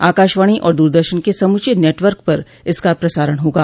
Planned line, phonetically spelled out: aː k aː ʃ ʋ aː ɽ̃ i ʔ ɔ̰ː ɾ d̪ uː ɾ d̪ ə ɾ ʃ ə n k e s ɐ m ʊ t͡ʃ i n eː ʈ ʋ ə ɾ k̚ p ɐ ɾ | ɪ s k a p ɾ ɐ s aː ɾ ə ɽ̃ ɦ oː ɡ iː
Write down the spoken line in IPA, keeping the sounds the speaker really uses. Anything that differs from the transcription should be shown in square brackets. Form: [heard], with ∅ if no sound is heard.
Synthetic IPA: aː k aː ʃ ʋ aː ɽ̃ i ʔ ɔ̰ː ɾ d̪ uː ɾ d̪ ə ɾ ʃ ə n k e s ɐ m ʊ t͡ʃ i n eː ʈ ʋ ə ɾ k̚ p ɐ ɾ | ɪ s k a p ɾ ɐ s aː ɾ ə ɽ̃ ɦ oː ɡ [aː]